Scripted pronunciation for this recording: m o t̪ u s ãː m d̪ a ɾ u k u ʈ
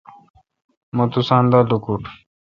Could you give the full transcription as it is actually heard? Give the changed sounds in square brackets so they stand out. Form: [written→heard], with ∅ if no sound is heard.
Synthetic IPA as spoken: m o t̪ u s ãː [m→n] d̪ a [ɾ→l] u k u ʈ